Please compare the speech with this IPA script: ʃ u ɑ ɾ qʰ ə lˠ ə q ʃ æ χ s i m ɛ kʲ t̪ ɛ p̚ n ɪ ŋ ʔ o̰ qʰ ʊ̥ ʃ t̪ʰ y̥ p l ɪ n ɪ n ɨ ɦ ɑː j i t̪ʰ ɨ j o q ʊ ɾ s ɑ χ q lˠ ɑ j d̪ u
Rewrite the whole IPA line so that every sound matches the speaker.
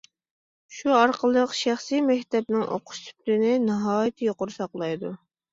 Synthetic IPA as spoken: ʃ u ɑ ɾ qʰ ə lˠ ə q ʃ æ χ s i m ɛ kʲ t̪ ɛ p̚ n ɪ ŋ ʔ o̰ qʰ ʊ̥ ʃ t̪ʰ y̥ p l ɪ n ɪ n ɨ ɦ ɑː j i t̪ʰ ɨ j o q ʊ ɾ s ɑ q lˠ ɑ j d̪ u